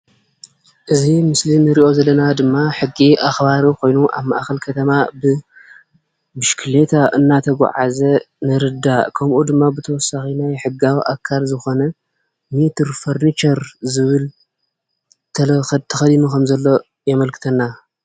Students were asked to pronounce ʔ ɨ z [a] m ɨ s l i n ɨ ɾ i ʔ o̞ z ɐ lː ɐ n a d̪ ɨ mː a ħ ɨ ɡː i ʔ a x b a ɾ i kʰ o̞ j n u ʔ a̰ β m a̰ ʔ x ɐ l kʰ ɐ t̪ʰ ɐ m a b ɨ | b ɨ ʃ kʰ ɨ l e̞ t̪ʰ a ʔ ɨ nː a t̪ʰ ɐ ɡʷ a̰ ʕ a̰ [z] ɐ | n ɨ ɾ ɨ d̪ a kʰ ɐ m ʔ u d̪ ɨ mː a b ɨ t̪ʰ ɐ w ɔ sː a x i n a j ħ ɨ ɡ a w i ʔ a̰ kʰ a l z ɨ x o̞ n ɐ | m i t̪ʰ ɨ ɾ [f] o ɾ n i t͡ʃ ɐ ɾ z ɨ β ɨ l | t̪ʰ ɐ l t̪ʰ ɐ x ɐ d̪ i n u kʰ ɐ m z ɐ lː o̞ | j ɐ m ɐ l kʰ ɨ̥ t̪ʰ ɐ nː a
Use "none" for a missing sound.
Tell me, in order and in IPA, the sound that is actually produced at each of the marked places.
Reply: i, z, f

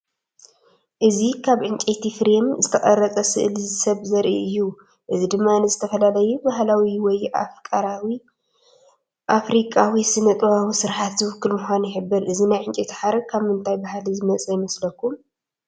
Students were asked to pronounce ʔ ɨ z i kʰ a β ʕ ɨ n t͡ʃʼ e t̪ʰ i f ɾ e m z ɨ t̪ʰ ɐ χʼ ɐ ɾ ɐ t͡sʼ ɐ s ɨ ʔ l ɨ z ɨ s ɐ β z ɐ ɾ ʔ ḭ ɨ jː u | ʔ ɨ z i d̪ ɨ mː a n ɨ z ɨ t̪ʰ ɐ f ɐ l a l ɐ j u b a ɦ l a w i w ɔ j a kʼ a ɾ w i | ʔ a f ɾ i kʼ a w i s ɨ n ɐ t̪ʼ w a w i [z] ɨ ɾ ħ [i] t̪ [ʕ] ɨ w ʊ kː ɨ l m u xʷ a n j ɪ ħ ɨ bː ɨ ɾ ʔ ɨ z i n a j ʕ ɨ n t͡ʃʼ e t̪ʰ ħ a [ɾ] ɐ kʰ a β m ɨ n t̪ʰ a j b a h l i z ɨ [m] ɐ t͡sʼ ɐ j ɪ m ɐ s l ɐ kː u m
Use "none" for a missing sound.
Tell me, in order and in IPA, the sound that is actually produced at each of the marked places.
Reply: s, a, z, ɾ, m

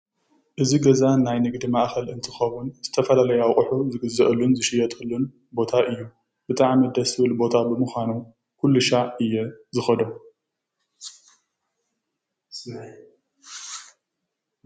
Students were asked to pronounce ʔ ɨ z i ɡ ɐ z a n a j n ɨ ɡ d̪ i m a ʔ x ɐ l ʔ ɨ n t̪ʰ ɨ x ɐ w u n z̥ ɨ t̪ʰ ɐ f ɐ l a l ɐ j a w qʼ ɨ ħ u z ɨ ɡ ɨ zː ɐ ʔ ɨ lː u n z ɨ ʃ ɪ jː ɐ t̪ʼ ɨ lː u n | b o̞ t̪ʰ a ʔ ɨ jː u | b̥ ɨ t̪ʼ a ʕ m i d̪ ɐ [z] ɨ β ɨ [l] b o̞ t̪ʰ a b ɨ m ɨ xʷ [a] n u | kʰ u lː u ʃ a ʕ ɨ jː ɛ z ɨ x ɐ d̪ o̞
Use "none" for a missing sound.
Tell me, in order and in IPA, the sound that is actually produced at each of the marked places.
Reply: s, l, a

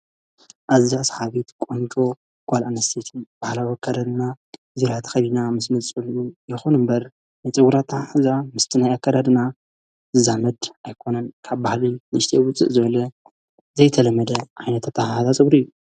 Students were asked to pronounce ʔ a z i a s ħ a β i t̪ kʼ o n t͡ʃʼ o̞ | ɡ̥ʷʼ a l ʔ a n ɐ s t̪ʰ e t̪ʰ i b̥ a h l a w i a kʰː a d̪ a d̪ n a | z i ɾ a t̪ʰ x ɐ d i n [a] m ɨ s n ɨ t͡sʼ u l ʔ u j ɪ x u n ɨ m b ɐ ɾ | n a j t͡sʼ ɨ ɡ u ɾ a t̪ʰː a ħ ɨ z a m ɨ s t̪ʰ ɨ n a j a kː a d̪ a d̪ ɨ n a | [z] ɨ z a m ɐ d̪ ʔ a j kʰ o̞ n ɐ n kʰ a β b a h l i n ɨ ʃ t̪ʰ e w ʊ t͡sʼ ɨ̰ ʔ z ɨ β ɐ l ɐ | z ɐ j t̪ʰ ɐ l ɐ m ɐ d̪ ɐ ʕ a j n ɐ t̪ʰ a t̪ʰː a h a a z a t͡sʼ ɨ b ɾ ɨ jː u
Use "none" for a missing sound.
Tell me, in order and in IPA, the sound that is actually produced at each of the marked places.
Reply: a, z

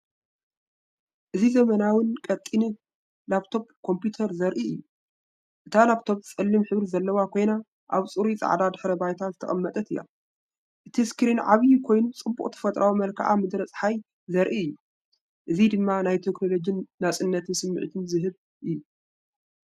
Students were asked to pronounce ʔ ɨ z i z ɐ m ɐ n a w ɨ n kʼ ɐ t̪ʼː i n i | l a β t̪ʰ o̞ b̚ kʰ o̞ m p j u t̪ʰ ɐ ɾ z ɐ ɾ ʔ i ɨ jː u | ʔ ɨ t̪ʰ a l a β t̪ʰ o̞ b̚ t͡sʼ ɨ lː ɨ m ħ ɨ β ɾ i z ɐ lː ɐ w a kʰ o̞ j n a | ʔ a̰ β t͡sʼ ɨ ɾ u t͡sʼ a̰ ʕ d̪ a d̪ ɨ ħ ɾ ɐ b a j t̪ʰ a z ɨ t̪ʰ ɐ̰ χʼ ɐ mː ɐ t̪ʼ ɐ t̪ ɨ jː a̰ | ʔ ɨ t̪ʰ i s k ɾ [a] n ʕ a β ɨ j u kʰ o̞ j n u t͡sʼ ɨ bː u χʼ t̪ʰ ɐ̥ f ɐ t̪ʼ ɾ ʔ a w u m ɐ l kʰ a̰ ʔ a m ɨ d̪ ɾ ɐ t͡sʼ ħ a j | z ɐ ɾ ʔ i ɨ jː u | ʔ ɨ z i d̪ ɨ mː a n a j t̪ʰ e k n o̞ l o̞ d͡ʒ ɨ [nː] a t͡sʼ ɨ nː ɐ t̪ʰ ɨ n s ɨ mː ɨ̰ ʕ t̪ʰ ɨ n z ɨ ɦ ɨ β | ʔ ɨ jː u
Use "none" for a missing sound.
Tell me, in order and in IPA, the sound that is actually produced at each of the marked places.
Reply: i, nː

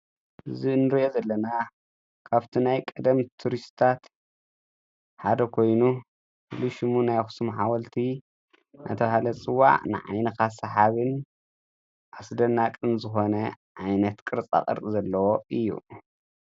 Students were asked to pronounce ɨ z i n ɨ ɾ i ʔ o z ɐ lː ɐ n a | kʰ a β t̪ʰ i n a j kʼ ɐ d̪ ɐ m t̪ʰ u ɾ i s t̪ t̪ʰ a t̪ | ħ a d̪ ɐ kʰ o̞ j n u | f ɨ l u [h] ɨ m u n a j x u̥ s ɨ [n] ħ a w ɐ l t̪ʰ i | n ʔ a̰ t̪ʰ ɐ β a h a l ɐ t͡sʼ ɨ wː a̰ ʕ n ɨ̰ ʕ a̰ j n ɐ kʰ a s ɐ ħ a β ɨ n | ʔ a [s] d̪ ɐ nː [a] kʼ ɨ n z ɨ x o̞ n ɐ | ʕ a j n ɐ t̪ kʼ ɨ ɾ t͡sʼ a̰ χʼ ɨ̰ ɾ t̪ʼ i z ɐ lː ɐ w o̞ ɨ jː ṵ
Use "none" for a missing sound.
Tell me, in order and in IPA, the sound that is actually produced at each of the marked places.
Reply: ʃ, m, s, a

